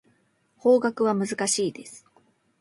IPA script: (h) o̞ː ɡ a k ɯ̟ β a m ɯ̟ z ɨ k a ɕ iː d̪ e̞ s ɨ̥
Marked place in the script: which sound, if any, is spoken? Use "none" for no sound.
h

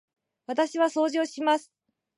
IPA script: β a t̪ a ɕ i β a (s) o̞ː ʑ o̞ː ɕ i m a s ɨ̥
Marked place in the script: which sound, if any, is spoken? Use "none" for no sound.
s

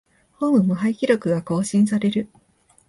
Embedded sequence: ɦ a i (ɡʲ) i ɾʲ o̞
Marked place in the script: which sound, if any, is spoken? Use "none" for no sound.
kʲ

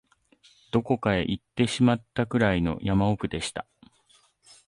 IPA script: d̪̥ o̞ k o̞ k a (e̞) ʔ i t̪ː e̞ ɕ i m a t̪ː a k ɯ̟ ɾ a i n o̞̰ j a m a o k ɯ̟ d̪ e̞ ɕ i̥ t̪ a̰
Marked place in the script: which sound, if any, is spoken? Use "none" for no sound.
e̞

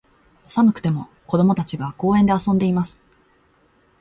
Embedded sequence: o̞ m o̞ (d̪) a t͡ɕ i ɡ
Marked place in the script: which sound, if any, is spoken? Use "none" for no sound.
t̪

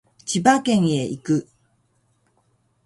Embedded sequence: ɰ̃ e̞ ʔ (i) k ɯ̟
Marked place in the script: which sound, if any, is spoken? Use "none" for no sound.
i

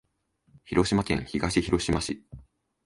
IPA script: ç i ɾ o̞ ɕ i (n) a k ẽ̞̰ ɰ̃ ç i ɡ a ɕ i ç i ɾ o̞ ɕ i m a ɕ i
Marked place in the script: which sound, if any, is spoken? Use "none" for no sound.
m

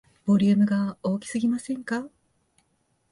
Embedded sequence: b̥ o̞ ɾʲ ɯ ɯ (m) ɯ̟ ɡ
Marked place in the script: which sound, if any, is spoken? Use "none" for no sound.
m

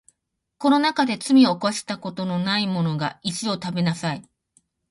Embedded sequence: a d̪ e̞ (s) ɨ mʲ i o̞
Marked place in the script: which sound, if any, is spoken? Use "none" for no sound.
t͡s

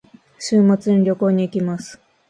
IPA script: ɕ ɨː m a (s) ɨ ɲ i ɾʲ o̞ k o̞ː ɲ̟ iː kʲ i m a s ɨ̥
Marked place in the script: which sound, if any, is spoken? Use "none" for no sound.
t͡s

